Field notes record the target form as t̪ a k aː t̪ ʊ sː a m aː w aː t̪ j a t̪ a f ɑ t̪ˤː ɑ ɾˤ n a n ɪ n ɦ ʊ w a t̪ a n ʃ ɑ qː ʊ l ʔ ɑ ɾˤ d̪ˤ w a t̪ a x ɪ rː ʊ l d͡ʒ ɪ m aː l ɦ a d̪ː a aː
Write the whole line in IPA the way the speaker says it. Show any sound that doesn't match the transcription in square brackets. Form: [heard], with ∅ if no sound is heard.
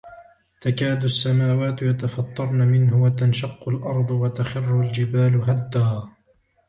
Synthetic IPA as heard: t̪ a k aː [d̪] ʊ sː a m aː w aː t̪ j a t̪ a f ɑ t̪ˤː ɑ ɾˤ n a [m] ɪ n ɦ ʊ w a t̪ a n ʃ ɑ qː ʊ l ʔ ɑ ɾˤ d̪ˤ w a t̪ a x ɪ rː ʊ l d͡ʒ ɪ [b] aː l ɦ a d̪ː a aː